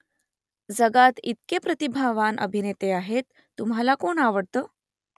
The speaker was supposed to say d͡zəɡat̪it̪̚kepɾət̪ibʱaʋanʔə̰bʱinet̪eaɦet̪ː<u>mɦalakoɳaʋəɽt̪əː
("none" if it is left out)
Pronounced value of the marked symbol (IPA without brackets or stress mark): u